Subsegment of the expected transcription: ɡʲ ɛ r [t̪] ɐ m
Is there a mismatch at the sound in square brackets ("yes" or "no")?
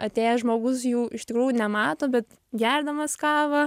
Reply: yes